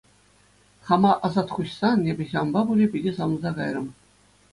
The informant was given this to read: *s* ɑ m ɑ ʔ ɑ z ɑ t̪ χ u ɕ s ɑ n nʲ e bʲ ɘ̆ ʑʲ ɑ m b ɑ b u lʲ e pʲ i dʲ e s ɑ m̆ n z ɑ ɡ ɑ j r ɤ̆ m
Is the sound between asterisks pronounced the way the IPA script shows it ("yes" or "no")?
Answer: no